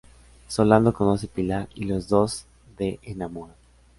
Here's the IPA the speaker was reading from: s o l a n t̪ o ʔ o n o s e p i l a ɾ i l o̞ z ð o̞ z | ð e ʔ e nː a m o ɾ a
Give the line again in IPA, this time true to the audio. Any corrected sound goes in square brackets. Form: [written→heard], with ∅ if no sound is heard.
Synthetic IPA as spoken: s o l a n [t̪→d̪] o [ʔ→k] o n o s e p i l a ɾ i l o̞ z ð o̞ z | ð e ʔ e [nː→n] a m o ɾ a

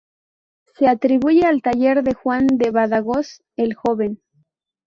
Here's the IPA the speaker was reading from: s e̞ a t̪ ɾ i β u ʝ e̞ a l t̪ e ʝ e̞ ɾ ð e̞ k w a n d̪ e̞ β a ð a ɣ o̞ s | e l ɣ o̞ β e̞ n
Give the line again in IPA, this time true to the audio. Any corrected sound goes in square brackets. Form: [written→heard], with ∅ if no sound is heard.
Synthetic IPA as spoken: s e̞ a t̪ ɾ i β u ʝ e̞ a l t̪ [e→a] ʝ e̞ ɾ ð e̞ [k→x] w a n d̪ e̞ β a ð a ɣ o̞ s | e l [ɣ→x] o̞ β e̞ n

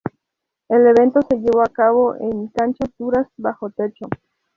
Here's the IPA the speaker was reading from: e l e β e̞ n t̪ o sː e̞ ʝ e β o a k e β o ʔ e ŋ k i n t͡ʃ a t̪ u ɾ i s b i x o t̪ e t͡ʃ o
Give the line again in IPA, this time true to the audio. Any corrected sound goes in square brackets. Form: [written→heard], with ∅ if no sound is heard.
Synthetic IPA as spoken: e l e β e̞ n t̪ o [sː→s] e̞ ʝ e β o a k [e→a] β o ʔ e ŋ k [i→a] n t͡ʃ a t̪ u ɾ [i→a] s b [i→a] x o t̪ e t͡ʃ o

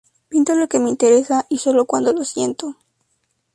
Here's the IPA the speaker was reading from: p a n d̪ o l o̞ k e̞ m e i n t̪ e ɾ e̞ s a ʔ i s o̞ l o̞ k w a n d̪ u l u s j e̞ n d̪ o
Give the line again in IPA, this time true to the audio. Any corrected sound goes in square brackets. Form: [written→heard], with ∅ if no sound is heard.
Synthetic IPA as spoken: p [a→i] n [d̪→t̪] o l o̞ k e̞ m e i n t̪ e ɾ e̞ s a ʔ i s o̞ l o̞ k w a n d̪ [u→o] l [u→o] s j e̞ n [d̪→t̪] o

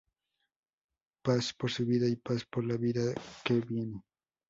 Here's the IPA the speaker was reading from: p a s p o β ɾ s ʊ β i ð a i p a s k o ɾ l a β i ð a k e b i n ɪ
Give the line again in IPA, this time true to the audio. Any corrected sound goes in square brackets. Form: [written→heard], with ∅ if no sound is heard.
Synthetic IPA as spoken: p a s p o [β→∅] ɾ s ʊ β i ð a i p a s [k→p] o ɾ l a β i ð a k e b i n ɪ

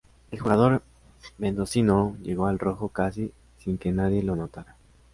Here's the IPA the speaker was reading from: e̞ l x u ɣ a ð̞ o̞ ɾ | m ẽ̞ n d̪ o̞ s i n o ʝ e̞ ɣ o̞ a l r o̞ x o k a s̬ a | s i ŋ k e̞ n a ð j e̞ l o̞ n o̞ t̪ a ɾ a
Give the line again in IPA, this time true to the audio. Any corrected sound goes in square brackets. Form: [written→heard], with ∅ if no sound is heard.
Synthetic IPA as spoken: e̞ l x u ɣ a ð̞ o̞ ɾ | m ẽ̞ n d̪ o̞ s i n o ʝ e̞ ɣ o̞ a l r o̞ x o k a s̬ [a→i] | s i ŋ k e̞ n a ð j e̞ l o̞ n o̞ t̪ a ɾ a

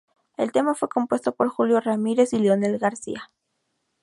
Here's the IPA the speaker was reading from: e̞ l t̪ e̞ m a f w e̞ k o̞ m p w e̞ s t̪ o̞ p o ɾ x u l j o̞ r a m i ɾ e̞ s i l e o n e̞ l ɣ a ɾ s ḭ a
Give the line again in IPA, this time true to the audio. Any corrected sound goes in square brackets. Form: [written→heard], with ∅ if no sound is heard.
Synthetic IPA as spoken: e̞ l t̪ e̞ m a f w e̞ k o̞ m p w e̞ s t̪ o̞ p o ɾ x u l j o̞ r a m i ɾ e̞ s i l e o n e̞ l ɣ a ɾ s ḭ a

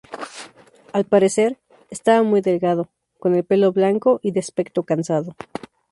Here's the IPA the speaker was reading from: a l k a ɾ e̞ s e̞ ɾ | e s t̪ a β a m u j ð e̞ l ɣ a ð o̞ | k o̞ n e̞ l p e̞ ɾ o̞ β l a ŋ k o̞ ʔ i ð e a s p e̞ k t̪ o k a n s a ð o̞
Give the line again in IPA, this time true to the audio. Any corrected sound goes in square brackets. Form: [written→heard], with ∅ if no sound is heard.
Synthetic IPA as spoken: a l [k→p] a ɾ e̞ s e̞ ɾ | e s t̪ a β a m u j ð e̞ l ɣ a ð o̞ | k o̞ n e̞ l p e̞ [ɾ→l] o̞ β l a ŋ k o̞ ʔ i ð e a s p e̞ k t̪ o k a n s a ð o̞

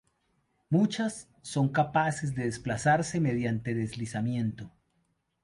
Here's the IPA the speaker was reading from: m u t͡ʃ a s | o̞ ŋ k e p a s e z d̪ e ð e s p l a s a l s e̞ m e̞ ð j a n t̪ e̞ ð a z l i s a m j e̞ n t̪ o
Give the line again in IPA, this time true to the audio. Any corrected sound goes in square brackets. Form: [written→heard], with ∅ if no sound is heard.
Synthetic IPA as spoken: m u t͡ʃ a [s→sː] | o̞ ŋ k [e→a] p a s e z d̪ e ð e s p l a s a [l→ɾ] s e̞ m e̞ ð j a n t̪ e̞ ð [a→e] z l i s a m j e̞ n t̪ o

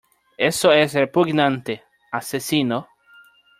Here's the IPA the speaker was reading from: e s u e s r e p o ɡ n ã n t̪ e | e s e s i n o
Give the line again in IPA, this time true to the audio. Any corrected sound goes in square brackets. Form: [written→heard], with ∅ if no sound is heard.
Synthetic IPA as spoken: e s [u→o] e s r e p [o→u] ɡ n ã n t̪ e | [e→a] s e s i n o

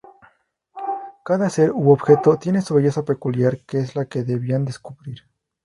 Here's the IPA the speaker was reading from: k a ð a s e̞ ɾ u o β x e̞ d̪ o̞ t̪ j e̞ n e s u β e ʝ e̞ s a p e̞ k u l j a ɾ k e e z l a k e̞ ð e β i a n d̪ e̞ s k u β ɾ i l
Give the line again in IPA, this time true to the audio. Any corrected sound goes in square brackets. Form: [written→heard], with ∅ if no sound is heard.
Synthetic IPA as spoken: k a ð a s e̞ ɾ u o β x e̞ [d̪→t̪] o̞ t̪ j e̞ n e s u β e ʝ e̞ s a p e̞ k u l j a ɾ k e e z l a k e̞ ð e β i a n d̪ e̞ s k u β ɾ i [l→ɾ]

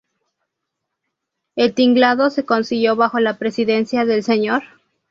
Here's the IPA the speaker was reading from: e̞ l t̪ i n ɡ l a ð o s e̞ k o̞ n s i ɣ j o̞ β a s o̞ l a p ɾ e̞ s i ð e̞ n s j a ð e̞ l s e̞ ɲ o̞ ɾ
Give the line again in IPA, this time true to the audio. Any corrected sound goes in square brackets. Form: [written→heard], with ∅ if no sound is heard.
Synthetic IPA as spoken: e̞ l t̪ i [n→ŋ] ɡ l a ð o s e̞ k o̞ n s i ɣ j o̞ β a [s→x] o̞ l a p ɾ e̞ s i ð e̞ n s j a ð e̞ l s e̞ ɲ o̞ ɾ

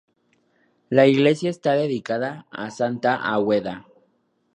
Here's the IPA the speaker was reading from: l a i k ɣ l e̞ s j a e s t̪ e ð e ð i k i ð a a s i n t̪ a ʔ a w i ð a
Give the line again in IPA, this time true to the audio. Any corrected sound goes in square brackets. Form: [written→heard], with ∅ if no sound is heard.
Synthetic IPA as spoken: l a i [k→∅] ɣ l e̞ s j a e s t̪ [e→a] ð e ð i k [i→a] ð a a s [i→a] n t̪ a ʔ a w [i→e] ð a

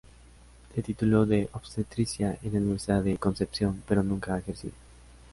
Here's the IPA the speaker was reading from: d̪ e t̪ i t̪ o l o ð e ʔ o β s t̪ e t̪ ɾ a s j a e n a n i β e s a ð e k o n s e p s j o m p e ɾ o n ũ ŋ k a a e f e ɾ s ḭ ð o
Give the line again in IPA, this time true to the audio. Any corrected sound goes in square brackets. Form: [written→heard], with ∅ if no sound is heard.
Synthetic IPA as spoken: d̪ e t̪ i t̪ [o→u] l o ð e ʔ o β s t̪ e t̪ ɾ [a→i] s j a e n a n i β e s a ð e k o n s e p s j o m p e ɾ o n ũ ŋ k a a e [f→x] e ɾ s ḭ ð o

